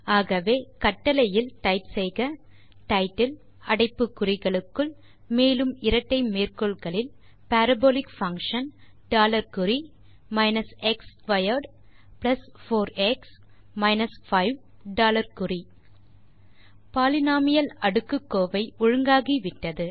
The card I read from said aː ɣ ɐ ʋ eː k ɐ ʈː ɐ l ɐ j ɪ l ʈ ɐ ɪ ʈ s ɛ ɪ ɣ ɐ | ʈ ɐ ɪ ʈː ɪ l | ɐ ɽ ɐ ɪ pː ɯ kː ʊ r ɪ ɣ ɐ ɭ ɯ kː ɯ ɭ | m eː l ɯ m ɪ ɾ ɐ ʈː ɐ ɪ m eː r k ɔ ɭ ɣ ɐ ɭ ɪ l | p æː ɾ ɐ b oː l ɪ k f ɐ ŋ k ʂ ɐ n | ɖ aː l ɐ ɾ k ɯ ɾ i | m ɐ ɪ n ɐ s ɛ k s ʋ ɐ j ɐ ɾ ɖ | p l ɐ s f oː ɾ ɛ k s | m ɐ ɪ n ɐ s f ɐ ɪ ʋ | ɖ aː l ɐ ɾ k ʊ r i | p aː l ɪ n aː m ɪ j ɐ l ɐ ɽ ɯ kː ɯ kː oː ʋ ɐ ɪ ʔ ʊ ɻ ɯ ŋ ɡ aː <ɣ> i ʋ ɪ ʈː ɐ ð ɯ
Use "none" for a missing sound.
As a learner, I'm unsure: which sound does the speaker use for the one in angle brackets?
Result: ɣ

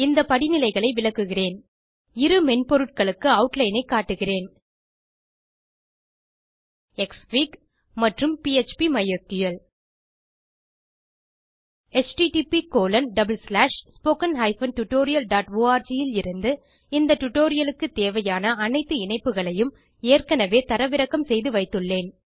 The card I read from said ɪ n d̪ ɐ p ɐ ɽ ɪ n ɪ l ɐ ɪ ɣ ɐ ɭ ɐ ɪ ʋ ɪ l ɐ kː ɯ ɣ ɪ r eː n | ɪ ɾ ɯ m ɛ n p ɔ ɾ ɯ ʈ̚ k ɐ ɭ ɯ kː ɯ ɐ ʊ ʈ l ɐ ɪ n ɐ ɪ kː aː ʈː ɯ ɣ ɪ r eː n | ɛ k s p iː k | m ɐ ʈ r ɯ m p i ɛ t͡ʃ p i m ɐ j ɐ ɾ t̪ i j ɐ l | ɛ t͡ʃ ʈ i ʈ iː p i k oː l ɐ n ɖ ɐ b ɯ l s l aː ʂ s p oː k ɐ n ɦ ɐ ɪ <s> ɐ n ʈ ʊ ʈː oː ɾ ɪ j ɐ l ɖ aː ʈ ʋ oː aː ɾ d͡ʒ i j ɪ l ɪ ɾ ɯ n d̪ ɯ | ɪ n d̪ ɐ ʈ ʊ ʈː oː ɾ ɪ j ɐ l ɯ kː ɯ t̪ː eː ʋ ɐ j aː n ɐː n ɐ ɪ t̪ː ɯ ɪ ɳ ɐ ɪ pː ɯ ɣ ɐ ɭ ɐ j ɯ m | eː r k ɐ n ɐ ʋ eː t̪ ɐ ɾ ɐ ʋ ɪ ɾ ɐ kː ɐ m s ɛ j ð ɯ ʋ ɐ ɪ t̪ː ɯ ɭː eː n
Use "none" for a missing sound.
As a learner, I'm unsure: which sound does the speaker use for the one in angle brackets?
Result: f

